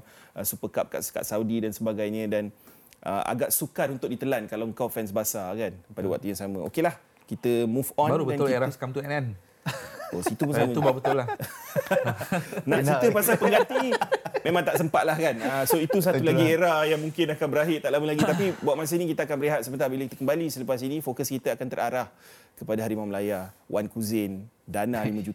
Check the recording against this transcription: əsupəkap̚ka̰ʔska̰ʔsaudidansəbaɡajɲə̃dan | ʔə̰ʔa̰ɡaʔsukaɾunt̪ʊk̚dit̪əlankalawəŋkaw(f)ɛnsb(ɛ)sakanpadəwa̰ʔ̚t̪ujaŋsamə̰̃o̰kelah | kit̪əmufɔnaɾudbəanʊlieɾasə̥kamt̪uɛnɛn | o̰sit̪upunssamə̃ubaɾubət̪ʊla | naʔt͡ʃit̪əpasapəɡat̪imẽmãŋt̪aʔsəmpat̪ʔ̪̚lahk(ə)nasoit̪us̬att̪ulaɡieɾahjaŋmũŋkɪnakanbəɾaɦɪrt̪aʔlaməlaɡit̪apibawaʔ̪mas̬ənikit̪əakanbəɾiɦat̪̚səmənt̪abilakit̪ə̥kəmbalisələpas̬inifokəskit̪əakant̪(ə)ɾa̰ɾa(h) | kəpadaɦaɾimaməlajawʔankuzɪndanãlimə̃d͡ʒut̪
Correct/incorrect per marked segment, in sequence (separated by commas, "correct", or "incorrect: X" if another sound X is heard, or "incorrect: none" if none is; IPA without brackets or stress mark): correct, incorrect: a, incorrect: a, correct, correct